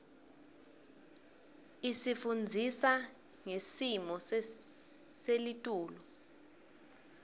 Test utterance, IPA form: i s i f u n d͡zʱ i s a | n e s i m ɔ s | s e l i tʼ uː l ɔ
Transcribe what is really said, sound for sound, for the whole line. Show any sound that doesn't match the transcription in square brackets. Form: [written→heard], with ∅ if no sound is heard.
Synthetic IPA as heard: i s i f u n d͡zʱ i s a | [n→ŋ] e s i m ɔ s | s e l i tʼ uː l ɔ